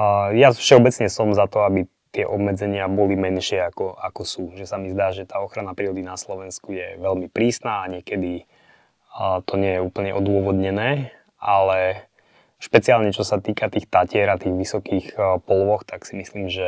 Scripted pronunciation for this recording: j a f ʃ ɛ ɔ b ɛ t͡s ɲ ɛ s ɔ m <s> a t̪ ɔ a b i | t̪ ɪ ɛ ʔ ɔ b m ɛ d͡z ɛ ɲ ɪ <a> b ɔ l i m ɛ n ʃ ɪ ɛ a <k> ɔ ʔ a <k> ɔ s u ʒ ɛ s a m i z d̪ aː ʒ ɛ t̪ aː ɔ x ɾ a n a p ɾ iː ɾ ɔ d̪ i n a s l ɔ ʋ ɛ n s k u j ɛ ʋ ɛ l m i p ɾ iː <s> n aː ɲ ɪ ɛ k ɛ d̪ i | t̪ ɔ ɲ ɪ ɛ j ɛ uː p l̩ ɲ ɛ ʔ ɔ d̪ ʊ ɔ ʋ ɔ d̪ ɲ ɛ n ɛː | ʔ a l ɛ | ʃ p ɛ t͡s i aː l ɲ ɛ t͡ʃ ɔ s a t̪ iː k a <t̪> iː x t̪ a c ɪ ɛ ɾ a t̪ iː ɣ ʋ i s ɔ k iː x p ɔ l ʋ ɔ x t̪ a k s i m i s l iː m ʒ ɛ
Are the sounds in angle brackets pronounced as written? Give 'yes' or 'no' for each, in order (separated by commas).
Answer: no, yes, yes, yes, yes, yes